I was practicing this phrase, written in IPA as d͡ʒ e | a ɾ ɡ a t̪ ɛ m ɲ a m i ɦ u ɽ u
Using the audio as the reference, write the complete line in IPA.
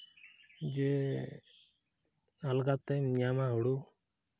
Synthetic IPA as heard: d͡ʒ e | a l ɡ a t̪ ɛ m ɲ a m a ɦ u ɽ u